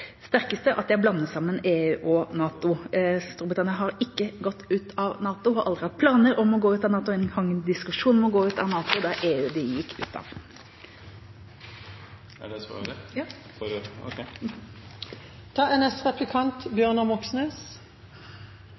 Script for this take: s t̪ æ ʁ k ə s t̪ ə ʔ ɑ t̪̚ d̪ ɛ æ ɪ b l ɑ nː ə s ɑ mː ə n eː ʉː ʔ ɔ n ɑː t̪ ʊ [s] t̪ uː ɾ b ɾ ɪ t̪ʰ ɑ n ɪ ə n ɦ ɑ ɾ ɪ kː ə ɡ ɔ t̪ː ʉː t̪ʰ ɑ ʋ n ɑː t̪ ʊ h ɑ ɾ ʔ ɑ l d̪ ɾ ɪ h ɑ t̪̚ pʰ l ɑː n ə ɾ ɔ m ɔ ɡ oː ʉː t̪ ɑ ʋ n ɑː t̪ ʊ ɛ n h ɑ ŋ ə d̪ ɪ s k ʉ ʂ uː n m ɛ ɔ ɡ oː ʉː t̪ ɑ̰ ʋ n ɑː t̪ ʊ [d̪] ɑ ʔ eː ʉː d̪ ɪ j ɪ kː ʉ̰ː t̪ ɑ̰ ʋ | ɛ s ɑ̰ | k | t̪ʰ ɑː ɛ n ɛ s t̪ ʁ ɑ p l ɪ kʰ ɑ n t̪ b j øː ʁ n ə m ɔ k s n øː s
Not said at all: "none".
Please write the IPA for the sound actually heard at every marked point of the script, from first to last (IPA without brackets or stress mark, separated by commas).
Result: s, d̪